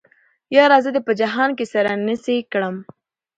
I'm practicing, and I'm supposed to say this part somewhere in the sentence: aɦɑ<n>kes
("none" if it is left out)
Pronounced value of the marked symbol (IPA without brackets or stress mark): n